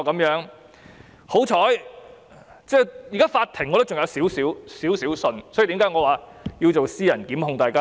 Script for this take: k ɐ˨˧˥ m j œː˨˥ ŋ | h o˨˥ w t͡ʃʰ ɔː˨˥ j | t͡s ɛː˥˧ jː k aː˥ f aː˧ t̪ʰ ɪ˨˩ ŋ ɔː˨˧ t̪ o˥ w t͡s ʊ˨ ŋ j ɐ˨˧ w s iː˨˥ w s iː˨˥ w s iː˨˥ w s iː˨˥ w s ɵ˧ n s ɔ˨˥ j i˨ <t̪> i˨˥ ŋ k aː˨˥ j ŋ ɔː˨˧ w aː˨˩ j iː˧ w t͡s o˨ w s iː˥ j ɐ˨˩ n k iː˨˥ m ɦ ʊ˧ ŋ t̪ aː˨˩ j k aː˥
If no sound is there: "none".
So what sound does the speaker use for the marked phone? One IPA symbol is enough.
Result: t̪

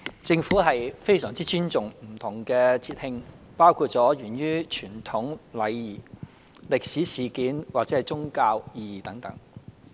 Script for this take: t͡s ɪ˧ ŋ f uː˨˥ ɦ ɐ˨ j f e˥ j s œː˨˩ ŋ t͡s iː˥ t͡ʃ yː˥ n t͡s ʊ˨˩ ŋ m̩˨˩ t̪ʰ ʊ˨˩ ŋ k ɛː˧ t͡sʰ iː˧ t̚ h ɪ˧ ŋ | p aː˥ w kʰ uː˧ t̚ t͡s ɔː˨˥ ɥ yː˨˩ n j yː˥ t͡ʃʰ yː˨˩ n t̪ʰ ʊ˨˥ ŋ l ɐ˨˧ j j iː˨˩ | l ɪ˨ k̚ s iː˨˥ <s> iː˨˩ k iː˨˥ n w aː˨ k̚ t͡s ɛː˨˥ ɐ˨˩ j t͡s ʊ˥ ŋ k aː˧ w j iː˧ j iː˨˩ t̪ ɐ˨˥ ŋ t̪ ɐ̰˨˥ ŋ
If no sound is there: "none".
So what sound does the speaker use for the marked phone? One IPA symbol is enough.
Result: s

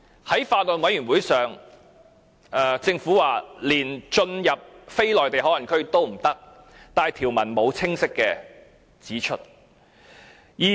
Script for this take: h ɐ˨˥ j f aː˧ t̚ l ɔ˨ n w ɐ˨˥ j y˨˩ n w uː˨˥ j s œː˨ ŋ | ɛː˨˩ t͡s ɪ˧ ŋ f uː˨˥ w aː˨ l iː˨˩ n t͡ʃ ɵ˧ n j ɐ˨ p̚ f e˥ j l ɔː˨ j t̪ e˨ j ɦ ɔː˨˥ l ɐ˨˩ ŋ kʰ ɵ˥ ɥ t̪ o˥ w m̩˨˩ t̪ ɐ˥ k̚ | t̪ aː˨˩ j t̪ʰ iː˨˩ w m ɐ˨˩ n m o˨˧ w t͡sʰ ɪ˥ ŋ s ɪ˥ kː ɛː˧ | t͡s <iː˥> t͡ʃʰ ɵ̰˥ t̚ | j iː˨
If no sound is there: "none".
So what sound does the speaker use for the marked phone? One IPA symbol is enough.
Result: iː˨˥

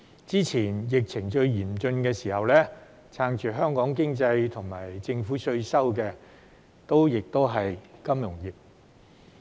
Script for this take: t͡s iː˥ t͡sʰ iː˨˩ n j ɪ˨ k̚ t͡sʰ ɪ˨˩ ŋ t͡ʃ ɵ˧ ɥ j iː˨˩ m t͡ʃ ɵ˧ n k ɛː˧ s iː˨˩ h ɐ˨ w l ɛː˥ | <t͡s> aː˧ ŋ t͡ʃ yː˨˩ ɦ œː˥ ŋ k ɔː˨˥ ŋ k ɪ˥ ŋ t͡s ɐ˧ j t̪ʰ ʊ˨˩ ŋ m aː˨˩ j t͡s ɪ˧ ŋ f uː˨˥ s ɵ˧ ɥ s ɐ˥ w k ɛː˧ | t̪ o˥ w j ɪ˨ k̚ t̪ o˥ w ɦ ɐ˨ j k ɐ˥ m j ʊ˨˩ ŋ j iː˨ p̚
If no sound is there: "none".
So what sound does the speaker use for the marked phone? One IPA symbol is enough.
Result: t͡sʰ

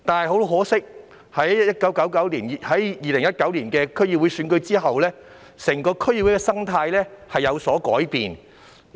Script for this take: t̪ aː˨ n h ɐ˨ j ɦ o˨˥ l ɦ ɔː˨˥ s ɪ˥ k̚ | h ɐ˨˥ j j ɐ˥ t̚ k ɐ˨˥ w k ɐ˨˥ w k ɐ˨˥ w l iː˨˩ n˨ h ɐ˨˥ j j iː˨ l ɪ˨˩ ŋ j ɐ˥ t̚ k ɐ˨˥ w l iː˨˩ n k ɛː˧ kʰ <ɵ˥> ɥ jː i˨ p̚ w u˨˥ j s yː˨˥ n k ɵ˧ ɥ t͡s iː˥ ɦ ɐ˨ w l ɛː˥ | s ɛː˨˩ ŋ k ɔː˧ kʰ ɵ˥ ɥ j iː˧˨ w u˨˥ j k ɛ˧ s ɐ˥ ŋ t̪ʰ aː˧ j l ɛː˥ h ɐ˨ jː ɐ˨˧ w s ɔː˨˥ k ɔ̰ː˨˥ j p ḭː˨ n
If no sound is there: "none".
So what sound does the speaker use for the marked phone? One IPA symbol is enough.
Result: ɵ˥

